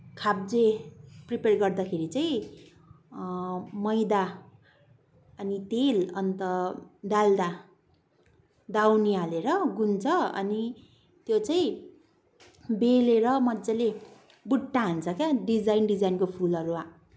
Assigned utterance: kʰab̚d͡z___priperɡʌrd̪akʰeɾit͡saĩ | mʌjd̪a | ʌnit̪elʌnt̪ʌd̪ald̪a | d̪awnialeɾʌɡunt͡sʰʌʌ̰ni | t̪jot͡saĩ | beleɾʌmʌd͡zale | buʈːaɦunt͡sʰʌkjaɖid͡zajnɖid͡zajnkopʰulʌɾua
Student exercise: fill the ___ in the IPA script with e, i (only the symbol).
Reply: e